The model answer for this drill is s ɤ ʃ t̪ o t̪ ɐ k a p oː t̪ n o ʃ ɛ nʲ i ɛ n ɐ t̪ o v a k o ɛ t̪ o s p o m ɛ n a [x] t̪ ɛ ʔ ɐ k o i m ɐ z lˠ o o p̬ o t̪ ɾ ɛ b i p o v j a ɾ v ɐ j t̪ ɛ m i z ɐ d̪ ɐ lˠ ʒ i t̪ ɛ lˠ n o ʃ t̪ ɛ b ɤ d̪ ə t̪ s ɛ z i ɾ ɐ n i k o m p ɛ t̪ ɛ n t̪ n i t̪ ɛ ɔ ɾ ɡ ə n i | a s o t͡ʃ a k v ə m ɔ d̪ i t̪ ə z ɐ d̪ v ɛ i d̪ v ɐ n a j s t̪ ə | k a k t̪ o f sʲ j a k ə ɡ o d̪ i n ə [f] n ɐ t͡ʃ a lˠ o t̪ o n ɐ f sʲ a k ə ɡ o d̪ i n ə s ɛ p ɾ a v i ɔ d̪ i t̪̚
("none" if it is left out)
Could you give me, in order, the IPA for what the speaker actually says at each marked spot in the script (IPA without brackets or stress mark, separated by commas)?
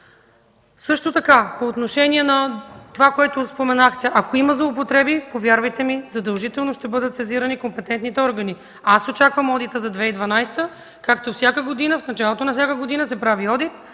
x, f